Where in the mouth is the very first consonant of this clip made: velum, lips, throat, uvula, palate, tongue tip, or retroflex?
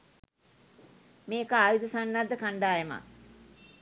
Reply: lips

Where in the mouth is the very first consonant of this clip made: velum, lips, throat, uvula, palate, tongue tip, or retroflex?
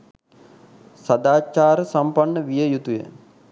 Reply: tongue tip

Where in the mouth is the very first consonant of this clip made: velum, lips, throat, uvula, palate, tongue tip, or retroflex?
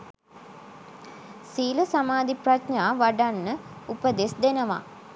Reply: tongue tip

